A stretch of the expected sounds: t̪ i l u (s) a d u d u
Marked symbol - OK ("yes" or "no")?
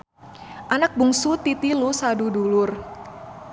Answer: yes